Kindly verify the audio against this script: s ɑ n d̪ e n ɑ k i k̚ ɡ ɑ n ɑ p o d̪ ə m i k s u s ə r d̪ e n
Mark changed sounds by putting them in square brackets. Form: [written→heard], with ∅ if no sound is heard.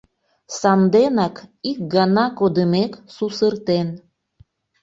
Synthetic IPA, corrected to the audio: s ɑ n d̪ e n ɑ k i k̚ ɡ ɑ n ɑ [p→k] o d̪ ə m [i→e] k s u s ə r [d̪→t̪] e n